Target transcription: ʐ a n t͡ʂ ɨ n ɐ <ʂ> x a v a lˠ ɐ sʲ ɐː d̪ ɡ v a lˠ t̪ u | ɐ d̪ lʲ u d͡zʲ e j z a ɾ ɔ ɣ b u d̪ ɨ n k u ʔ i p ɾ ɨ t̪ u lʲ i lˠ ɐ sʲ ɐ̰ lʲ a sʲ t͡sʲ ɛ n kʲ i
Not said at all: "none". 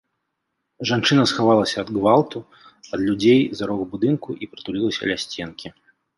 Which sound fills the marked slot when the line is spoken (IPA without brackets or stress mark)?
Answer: s